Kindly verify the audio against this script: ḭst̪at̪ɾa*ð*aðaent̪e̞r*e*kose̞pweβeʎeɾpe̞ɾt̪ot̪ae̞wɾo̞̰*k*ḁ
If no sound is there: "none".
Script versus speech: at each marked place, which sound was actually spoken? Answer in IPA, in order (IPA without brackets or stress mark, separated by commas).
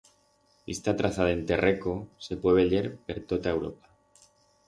θ, e, p